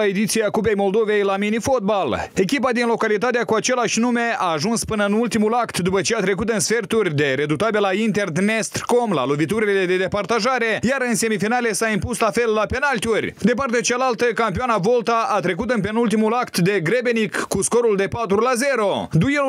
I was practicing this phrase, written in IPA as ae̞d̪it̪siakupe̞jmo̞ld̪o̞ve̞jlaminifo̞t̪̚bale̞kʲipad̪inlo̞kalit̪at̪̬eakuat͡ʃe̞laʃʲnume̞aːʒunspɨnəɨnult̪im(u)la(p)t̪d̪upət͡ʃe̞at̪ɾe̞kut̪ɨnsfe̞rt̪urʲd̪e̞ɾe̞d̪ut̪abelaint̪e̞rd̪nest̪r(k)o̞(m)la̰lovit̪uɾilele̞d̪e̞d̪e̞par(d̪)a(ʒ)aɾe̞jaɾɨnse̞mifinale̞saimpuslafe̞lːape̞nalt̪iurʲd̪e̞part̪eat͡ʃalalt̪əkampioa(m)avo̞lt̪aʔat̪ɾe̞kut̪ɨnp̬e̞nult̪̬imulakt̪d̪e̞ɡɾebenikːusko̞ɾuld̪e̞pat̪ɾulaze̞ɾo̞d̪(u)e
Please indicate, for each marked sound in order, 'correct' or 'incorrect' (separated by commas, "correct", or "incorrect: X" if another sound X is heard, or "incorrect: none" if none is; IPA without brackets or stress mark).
correct, incorrect: k, correct, correct, incorrect: t̪, correct, incorrect: n, correct